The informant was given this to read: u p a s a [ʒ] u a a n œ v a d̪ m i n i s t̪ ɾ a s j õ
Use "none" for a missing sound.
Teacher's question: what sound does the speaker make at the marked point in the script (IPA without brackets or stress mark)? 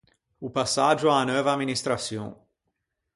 ʒ